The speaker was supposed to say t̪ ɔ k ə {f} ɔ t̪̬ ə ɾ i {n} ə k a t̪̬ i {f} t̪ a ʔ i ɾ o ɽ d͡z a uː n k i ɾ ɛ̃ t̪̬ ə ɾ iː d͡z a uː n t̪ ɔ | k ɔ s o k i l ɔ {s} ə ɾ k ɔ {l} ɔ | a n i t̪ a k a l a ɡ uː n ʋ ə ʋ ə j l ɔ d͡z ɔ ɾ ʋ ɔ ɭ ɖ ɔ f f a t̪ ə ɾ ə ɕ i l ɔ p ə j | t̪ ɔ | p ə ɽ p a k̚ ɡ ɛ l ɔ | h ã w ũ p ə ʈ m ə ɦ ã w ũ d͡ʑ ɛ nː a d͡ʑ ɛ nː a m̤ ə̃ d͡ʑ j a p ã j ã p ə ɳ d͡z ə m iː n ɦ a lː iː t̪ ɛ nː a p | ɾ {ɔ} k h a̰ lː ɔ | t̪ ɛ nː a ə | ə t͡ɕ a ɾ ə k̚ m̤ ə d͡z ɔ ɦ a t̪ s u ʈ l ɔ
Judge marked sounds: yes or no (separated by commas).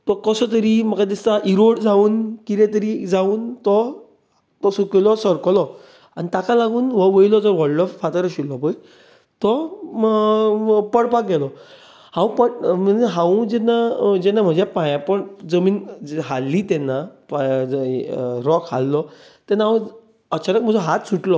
no, no, no, yes, yes, yes